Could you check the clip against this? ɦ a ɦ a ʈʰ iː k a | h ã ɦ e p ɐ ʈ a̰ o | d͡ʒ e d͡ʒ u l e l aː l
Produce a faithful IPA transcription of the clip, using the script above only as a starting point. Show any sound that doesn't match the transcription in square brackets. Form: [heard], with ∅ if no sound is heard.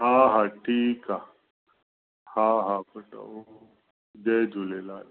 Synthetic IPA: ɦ a ɦ a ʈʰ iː k a | h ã ɦ [a] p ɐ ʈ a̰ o | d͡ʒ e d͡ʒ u l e l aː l

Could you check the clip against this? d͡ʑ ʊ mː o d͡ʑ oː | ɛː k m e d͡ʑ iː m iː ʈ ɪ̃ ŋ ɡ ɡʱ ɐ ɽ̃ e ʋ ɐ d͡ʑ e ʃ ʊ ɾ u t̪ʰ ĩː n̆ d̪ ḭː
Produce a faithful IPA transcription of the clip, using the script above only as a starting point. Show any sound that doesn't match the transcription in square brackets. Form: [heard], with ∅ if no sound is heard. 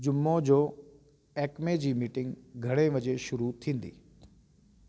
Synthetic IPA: d͡ʑ ʊ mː o d͡ʑ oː | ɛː k m e d͡ʑ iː m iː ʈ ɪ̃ ŋ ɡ ɡʱ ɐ ɽ̃ e ʋ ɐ d͡ʑ e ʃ ʊ ɾ u t̪ʰ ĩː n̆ d̪ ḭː

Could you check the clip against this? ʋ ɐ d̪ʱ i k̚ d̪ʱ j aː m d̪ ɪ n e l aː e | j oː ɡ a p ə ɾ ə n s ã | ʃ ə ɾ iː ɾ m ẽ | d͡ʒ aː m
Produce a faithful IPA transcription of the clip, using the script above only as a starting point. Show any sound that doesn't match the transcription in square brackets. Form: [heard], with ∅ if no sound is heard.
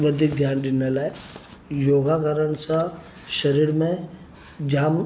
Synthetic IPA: ʋ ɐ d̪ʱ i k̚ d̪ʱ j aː [n] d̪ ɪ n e l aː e | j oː ɡ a [k] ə ɾ ə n s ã | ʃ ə ɾ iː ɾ m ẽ | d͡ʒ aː m

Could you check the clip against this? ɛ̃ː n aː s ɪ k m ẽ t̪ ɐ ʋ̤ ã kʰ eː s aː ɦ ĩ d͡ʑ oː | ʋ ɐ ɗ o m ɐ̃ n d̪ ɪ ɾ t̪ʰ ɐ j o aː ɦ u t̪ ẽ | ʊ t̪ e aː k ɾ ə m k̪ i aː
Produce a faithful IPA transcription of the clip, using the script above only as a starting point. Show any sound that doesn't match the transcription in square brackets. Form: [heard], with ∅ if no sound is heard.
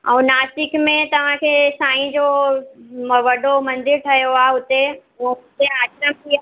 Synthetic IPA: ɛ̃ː n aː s ɪ k m ẽ t̪ ɐ ʋ̤ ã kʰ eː s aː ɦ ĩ d͡ʑ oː | ʋ ɐ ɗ o m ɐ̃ n d̪ ɪ ɾ t̪ʰ ɐ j o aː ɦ [ʊ] t̪ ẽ | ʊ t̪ e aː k ɾ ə m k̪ i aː

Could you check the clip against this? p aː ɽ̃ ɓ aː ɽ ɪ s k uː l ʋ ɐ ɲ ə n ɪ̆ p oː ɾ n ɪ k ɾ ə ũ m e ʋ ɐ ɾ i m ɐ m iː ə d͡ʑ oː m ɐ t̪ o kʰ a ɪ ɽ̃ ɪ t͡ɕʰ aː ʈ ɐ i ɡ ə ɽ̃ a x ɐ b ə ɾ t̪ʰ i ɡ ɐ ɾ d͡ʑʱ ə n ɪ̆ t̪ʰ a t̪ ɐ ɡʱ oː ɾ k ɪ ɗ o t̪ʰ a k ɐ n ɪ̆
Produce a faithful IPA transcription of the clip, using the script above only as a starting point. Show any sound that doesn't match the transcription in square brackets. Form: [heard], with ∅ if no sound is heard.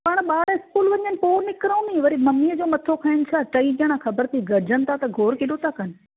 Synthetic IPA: p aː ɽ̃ ɓ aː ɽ ɪ s k uː l ʋ ɐ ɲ ə n ɪ̆ p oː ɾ n ɪ k ɾ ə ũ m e ʋ ɐ ɾ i m ɐ m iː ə d͡ʑ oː m ɐ [t̪ʰ] o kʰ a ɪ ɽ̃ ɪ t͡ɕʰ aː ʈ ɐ i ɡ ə ɽ̃ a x ɐ b ə ɾ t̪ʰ i ɡ ɐ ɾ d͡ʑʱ ə n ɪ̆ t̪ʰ a t̪ ɐ ɡʱ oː ɾ k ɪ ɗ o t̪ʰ a k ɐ n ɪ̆

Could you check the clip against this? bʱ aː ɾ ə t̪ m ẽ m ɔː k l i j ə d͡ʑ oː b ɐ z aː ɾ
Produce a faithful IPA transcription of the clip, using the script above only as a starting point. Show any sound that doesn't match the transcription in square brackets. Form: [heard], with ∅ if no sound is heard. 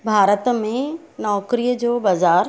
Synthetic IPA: bʱ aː ɾ ə t̪ m ẽ [n] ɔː k [ɾ] i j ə d͡ʑ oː b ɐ z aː ɾ

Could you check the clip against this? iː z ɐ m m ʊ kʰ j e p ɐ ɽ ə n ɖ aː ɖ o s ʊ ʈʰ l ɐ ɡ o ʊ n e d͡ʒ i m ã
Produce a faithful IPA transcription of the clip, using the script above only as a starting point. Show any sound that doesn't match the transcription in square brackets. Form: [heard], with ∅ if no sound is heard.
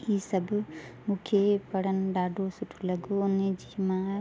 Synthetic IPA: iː [s] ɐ [b] m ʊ kʰ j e p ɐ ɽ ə n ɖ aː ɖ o s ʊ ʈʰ l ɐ ɡ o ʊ n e d͡ʒ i m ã

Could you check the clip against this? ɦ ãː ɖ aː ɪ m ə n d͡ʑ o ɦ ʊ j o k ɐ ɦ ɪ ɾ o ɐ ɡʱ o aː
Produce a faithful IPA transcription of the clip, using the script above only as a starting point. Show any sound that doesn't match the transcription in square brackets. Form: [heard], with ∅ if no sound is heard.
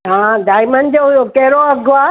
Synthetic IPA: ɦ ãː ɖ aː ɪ m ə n d͡ʑ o ɦ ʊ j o k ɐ ɦ ɪ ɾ o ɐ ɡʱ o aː

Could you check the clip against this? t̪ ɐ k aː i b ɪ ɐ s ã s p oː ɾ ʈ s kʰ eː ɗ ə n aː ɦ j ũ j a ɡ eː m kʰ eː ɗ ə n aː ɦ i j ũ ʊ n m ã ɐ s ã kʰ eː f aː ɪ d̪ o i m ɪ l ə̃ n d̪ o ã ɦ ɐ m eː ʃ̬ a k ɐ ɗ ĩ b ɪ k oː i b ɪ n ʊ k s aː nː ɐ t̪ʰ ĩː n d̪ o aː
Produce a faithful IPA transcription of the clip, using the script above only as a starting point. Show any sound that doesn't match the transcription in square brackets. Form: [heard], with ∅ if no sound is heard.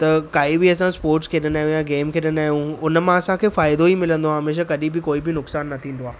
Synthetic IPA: t̪ ɐ k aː i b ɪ ɐ s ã s p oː ɾ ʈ s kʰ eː ɗ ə n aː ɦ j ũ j a ɡ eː m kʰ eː ɗ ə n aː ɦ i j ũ ʊ n m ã ɐ s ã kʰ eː f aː ɪ d̪ o i m ɪ l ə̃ n d̪ o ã ɦ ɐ m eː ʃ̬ a k ɐ ɗ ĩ b ɪ k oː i b ɪ n ʊ k s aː nː ɐ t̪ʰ ĩː n d̪ o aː

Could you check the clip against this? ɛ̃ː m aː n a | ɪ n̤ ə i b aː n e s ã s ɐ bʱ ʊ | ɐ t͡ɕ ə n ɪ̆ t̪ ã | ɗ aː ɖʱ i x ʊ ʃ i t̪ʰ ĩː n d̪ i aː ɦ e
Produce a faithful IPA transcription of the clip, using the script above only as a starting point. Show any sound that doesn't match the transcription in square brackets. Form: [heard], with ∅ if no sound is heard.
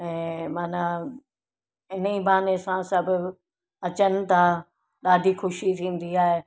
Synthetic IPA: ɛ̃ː m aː n a | ɪ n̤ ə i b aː n e s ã s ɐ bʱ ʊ | ɐ t͡ɕ ə n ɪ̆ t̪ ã | ɗ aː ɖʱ i x ʊ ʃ i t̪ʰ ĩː n d̪ i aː ɦ e

